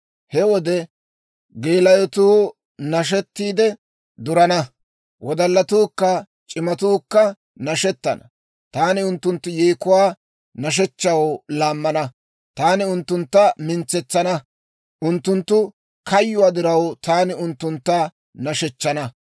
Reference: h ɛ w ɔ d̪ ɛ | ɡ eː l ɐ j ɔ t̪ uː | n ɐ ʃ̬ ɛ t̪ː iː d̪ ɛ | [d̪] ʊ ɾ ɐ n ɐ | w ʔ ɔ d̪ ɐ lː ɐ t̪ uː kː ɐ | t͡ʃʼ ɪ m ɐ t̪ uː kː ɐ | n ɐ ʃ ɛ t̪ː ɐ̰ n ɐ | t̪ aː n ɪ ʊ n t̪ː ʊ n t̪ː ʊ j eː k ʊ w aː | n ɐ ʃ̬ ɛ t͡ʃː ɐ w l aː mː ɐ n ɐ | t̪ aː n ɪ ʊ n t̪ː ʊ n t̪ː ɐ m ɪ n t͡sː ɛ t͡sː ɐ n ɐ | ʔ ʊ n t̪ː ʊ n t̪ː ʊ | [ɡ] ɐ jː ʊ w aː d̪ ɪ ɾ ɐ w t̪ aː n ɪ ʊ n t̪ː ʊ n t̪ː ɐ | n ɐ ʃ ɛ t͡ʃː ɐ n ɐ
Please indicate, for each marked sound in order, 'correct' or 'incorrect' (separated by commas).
correct, incorrect